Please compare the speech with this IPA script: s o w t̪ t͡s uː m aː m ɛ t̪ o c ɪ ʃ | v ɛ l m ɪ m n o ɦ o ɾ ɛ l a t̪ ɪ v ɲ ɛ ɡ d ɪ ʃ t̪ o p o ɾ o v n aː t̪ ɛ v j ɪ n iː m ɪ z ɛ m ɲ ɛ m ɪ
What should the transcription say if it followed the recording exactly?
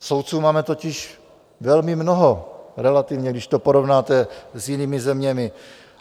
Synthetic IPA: s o w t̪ t͡s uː m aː m ɛ t̪ o c ɪ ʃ | v ɛ l m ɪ m n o ɦ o ɾ ɛ l a t̪ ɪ v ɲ ɛ ɡ d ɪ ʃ t̪ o p o ɾ o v n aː t̪ ɛ z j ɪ n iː m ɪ z ɛ m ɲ ɛ m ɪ